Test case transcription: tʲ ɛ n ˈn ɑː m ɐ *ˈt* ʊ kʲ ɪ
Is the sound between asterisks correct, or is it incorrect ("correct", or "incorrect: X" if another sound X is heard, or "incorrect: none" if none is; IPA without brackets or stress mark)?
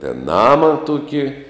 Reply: correct